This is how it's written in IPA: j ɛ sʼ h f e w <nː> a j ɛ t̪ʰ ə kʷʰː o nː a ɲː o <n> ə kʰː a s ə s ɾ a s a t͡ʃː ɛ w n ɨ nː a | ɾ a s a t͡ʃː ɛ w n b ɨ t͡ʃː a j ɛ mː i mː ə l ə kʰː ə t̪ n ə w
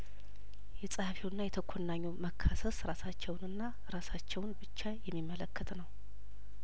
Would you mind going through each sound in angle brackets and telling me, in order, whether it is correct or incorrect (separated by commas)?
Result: correct, incorrect